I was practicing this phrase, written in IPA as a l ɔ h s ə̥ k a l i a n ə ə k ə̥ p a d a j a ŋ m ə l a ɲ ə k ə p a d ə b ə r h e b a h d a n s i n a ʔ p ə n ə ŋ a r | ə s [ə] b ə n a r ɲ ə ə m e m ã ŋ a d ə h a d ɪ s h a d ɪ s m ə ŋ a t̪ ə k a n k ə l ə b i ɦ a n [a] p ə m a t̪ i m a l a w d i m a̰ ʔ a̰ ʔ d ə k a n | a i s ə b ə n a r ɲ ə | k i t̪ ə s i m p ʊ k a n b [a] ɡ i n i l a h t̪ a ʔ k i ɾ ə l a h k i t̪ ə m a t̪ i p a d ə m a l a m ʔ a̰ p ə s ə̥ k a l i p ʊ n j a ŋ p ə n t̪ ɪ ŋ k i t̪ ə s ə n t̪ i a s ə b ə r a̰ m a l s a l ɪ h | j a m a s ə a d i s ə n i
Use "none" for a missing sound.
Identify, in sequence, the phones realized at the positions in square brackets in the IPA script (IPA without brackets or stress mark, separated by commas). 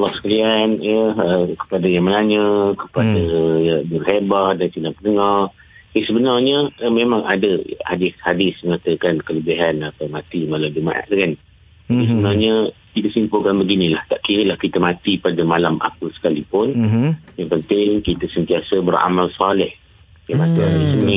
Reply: ə, a, ə